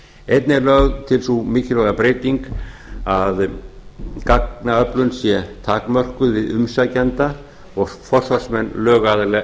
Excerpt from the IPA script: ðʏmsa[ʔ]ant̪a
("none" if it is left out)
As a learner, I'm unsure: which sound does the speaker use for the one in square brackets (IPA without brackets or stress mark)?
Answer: c